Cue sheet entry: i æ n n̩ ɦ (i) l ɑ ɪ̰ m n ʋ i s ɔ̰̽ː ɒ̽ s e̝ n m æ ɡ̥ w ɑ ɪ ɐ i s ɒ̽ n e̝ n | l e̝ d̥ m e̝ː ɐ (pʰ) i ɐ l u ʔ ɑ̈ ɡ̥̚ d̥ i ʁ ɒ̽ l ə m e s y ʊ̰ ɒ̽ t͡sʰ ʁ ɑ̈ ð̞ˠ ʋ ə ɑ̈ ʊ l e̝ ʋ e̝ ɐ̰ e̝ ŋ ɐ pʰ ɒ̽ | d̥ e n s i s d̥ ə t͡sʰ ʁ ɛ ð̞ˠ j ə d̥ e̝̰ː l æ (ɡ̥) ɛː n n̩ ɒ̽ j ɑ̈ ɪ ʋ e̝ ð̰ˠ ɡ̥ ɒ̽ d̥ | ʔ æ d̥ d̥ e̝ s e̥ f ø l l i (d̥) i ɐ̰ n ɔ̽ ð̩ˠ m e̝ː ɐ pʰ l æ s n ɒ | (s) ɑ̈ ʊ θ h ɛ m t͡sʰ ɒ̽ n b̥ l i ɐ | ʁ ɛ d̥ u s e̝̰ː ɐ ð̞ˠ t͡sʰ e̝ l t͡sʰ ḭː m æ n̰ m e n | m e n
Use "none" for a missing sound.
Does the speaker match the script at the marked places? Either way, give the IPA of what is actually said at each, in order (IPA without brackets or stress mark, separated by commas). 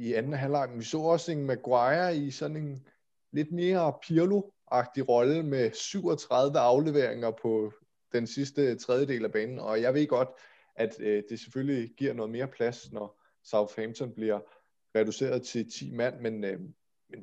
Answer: æ, pʰ, b̥, ɡ̥, s